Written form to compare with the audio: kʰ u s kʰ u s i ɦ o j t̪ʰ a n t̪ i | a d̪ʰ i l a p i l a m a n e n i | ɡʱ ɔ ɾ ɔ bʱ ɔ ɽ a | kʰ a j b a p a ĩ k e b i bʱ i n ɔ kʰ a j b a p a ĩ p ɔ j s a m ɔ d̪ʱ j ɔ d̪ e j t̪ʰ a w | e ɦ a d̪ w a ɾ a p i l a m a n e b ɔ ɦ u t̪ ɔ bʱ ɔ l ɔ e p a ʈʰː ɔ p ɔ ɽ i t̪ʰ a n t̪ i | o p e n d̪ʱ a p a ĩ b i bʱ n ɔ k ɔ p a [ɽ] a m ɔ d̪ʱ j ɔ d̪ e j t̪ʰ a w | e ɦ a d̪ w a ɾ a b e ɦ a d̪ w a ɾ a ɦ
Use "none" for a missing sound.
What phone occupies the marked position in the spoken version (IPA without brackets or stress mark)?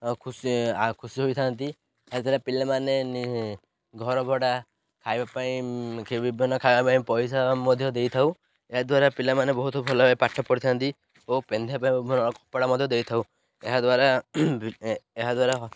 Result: ɽ